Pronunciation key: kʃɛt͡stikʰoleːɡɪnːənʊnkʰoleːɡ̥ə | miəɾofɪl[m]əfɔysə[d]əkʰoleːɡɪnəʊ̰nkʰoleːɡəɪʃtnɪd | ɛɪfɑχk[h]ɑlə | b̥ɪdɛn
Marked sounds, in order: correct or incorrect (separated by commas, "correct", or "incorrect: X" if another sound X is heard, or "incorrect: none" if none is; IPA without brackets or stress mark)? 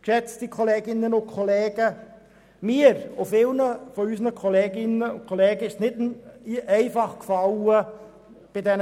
incorrect: n, incorrect: n, incorrect: f